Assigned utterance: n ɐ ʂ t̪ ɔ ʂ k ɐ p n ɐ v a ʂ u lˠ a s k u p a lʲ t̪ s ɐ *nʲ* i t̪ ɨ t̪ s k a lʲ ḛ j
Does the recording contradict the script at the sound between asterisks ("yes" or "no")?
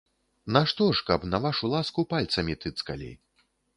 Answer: yes